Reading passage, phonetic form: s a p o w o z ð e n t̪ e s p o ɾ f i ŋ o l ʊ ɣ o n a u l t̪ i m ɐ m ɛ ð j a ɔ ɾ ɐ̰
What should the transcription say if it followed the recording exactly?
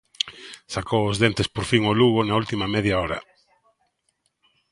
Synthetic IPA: s a k o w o z ð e n t̪ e s p o ɾ f i ŋ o l u ɣ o n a u l t̪ i m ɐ m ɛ ð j a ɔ ɾ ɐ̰